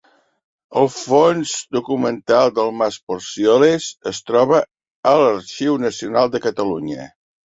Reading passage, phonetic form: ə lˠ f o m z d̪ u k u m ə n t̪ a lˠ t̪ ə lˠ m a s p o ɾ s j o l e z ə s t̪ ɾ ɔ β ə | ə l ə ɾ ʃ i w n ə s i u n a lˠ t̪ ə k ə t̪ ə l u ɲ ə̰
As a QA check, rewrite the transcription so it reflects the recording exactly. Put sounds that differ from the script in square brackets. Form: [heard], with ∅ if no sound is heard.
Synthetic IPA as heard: ə lˠ f o [n] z d̪ u k u m ə n t̪ a lˠ [d̪] ə lˠ m a s p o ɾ s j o l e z ə s t̪ ɾ ɔ β ə | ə l ə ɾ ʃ i w n ə s i u n a lˠ [d̪] ə k ə t̪ ə l u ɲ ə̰